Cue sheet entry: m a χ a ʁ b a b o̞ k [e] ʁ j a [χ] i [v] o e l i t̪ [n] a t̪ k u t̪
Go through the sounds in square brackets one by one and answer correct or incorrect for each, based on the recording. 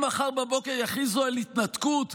correct, correct, incorrect, correct

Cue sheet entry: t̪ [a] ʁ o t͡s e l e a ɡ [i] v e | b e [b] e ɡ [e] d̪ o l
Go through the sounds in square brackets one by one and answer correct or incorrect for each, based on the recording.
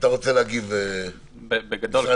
correct, correct, correct, incorrect

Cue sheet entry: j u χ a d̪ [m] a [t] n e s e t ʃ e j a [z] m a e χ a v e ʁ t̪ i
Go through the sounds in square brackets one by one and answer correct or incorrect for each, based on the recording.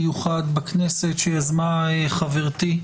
incorrect, incorrect, correct

